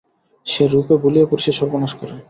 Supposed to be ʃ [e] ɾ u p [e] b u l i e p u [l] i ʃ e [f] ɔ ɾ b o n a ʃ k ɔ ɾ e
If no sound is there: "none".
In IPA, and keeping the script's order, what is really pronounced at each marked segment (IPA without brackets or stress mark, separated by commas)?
e, e, ɾ, ʃ